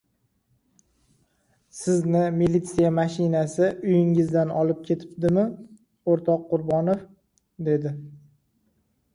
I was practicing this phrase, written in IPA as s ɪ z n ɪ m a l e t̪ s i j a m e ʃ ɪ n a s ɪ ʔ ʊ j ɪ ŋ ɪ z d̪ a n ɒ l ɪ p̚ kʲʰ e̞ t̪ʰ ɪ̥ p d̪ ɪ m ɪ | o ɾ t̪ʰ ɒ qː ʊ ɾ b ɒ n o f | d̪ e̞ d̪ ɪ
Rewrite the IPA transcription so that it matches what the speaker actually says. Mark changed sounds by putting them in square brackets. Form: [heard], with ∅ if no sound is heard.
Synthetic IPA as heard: s ɪ z n ɪ m [i] l [i] t̪ s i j a m [a] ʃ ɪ n a s ɪ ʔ ʊ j ɪ ŋ ɪ z d̪ a n ɒ l ɪ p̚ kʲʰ e̞ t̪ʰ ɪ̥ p d̪ ɪ m ɪ | o ɾ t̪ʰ ɒ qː ʊ ɾ b ɒ n o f | d̪ e̞ d̪ ɪ

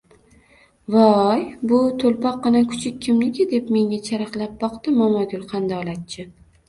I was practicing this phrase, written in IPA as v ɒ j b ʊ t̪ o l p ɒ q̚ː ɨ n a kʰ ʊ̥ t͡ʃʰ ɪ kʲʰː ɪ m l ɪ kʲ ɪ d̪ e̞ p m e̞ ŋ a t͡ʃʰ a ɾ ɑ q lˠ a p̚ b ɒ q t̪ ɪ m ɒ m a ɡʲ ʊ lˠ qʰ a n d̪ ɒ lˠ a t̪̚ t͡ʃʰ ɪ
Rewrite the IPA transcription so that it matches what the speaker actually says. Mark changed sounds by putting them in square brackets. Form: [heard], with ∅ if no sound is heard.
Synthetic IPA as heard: v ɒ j b ʊ [t̪ʰ] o l p ɒ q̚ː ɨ n a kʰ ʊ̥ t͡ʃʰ ɪ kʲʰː ɪ m l ɪ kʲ ɪ d̪ e̞ p m e̞ ŋ a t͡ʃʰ a ɾ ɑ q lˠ a p̚ b ɒ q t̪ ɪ m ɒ m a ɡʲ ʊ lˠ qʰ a n d̪ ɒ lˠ a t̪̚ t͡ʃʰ ɪ

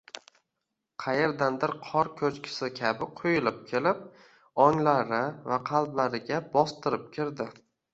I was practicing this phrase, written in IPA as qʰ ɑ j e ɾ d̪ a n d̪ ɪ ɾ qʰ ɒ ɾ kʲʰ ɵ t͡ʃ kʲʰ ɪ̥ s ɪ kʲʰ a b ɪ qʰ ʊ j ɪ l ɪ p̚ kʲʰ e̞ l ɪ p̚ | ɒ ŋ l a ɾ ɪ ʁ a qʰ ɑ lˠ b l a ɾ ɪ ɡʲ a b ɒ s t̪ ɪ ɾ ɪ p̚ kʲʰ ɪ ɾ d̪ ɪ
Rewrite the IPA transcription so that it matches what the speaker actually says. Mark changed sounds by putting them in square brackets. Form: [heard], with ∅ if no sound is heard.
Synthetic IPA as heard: qʰ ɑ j e ɾ d̪ a n d̪ ɪ ɾ qʰ ɒ ɾ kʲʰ ɵ t͡ʃ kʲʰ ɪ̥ s ɪ kʲʰ a b ɪ qʰ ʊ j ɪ l ɪ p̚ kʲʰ e̞ l ɪ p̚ | ɒ ŋ l a ɾ ɪ [v] a qʰ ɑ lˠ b l a ɾ ɪ ɡʲ a b ɒ s t̪ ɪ ɾ ɪ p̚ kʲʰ ɪ ɾ d̪ ɪ

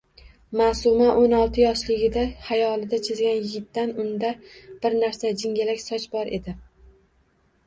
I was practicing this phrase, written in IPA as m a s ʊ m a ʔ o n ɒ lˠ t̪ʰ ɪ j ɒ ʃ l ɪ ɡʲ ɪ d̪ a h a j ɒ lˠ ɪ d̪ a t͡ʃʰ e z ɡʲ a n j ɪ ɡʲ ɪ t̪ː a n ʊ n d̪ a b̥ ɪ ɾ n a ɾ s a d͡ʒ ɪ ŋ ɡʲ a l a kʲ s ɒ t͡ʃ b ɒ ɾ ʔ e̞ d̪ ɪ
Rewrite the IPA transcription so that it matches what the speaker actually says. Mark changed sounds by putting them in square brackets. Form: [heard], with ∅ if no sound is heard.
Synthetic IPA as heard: m a s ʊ m a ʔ o n ɒ lˠ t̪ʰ ɪ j ɒ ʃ l ɪ ɡʲ ɪ d̪ a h a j ɒ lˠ ɪ d̪ a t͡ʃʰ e z ɡʲ a n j ɪ ɡʲ ɪ t̪ː a n ʊ n d̪ a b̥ ɪ ɾ n a ɾ s a d͡ʒ ɪ ŋ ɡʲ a l a kʲ s ɒ t͡ʃ b ɒ ɾ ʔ e̞ d̪ ɪ

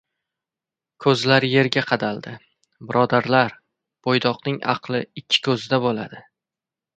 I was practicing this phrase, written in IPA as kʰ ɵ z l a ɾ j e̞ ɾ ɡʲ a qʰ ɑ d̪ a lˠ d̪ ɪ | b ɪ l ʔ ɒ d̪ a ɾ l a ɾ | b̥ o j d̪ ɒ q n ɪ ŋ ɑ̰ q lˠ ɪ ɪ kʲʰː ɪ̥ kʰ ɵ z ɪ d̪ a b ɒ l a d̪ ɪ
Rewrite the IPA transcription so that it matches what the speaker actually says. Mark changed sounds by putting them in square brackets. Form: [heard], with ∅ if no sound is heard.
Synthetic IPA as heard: kʰ ɵ z l a ɾ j e̞ ɾ ɡʲ a qʰ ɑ d̪ a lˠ d̪ ɪ | b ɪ [ɾ] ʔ ɒ d̪ a ɾ l a ɾ | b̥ o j d̪ ɒ q n ɪ ŋ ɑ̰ q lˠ ɪ ɪ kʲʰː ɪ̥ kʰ ɵ z ɪ d̪ a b [o] l a d̪ ɪ

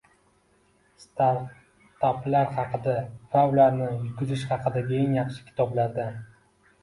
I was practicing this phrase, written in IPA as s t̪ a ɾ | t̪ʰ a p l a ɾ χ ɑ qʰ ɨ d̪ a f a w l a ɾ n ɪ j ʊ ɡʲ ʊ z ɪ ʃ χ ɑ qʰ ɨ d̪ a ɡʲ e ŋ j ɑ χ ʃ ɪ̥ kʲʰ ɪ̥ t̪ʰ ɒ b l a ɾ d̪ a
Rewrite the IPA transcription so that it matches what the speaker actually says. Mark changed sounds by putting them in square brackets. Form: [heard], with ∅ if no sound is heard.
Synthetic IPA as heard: s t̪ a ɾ | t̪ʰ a p l a ɾ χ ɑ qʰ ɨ d̪ a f a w l a ɾ n ɪ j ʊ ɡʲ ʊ z ɪ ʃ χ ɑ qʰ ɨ d̪ a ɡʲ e ŋ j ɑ χ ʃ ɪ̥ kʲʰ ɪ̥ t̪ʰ ɒ b l a ɾ d̪ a

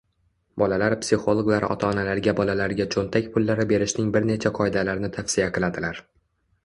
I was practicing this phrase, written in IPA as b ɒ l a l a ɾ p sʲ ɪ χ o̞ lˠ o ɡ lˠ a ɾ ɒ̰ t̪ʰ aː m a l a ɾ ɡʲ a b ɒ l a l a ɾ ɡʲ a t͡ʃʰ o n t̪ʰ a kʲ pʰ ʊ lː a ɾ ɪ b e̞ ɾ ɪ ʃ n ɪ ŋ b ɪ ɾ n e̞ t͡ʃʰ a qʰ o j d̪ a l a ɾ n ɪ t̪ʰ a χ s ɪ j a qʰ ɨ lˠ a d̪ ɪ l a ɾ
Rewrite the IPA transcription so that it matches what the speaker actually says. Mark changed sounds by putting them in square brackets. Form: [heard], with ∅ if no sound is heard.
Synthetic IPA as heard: b ɒ l a l a ɾ p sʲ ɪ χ o̞ lˠ o ɡ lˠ a ɾ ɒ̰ t̪ʰ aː [n] a l a ɾ ɡʲ a b ɒ l a l a ɾ ɡʲ a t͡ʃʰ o n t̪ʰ a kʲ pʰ ʊ lː a ɾ ɪ b e̞ ɾ ɪ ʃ n ɪ ŋ b ɪ ɾ n e̞ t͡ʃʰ a qʰ [ɒ] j d̪ a l a ɾ n ɪ t̪ʰ a [f] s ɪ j a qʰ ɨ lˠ a d̪ ɪ l a ɾ

